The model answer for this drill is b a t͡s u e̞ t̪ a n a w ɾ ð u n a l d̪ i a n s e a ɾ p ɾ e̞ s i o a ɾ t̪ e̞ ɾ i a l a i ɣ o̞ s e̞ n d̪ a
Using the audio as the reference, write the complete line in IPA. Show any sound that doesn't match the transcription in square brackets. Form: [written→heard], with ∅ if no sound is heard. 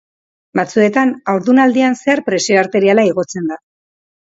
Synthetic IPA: b a t͡s u e̞ t̪ a n a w ɾ ð u n a l d̪ i a n s e a ɾ p ɾ e̞ s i o a ɾ t̪ e̞ ɾ i a l a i ɣ o̞ [s→t͡s] e̞ n d̪ a